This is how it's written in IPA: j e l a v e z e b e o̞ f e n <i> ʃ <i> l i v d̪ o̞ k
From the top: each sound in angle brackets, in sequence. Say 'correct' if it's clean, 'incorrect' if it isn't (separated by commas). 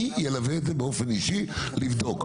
correct, correct